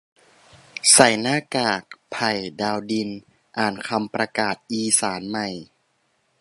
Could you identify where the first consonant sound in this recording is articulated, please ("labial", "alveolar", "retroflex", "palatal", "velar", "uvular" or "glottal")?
alveolar